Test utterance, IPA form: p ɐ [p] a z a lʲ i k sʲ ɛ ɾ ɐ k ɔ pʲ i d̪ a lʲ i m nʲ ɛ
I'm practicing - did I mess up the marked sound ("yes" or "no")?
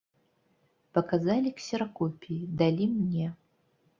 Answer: yes